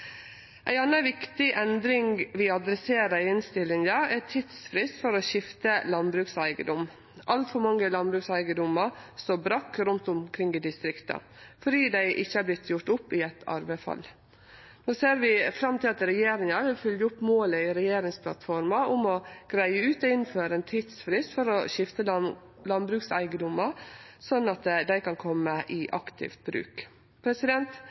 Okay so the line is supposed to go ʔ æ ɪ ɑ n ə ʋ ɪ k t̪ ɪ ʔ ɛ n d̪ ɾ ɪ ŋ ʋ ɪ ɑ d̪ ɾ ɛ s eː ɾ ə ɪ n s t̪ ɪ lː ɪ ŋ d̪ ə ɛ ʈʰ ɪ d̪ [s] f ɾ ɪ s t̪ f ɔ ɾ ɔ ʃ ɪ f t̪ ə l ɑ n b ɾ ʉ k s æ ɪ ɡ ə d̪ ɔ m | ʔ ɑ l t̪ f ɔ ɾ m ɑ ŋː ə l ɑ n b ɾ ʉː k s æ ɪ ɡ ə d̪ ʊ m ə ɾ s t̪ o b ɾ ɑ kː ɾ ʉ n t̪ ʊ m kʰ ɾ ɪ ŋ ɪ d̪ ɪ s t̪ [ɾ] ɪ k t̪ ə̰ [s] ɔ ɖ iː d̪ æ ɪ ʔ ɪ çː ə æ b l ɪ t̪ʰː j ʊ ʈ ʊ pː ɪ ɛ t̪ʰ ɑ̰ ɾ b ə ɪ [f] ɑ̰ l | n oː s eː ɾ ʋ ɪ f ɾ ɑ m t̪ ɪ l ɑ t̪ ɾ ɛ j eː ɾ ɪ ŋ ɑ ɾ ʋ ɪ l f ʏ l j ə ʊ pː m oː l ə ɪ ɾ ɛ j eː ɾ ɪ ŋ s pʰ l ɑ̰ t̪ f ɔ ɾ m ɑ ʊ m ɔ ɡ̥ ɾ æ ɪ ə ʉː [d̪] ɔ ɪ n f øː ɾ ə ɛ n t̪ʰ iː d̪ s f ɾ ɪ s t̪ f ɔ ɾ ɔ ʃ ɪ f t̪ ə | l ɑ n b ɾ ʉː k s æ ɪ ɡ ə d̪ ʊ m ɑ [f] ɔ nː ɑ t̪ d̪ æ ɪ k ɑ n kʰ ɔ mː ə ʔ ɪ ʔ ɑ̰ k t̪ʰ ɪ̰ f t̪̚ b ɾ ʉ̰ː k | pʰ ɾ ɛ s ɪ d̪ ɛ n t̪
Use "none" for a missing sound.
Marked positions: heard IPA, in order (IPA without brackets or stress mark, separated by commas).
s, ɾ, f, f, t̪, s